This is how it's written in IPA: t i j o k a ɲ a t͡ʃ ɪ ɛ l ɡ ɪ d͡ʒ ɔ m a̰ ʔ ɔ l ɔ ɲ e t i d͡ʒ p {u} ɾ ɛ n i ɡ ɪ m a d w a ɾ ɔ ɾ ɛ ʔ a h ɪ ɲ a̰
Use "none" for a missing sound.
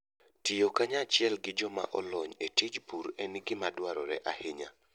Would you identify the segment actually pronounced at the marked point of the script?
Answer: u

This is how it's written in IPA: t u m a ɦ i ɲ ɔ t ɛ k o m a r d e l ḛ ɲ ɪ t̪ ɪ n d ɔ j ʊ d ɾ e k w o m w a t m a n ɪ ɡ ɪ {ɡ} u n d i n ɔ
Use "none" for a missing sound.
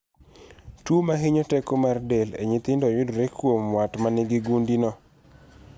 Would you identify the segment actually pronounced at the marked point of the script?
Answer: ɡ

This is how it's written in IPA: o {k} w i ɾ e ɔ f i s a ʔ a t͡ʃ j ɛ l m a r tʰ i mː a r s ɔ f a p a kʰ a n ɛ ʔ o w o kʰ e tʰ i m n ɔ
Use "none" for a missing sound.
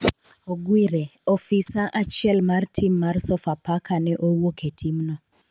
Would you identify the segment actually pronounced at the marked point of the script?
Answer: ɡ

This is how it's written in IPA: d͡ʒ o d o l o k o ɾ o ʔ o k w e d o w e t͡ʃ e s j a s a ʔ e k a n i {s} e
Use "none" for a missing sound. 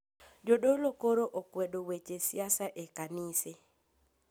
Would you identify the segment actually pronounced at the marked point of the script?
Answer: s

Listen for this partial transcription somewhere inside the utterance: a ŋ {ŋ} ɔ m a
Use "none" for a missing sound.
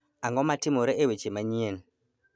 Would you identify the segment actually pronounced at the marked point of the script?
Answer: ɡ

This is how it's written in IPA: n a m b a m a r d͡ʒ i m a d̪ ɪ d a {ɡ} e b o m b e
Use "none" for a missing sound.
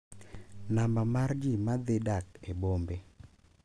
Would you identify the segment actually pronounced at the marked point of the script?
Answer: k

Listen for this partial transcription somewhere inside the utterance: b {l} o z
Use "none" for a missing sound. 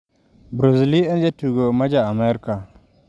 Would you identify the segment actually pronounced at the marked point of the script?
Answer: ɾ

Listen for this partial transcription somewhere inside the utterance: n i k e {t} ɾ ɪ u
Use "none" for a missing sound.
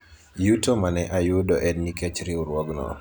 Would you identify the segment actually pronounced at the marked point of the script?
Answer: t͡ʃ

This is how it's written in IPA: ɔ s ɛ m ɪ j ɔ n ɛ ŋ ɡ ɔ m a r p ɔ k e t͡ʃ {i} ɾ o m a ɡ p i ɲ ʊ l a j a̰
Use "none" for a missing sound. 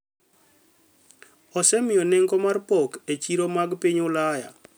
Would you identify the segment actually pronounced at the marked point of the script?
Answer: i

